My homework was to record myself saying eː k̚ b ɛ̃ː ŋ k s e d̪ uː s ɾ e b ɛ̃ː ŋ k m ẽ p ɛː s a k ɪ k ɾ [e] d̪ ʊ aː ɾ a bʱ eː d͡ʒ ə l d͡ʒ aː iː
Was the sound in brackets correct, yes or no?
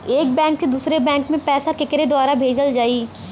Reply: yes